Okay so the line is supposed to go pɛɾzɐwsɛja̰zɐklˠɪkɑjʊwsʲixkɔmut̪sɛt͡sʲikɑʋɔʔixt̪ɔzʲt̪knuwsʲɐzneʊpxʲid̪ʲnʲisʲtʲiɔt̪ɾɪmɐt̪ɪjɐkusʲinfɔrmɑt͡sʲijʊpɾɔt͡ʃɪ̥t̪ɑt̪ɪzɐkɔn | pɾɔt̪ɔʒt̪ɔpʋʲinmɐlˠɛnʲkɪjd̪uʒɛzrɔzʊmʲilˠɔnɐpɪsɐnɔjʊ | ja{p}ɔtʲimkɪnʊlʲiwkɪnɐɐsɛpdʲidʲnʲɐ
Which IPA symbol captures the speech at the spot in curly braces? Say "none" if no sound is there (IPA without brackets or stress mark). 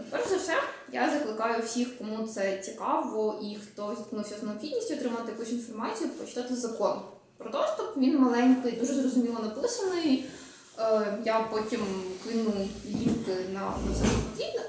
p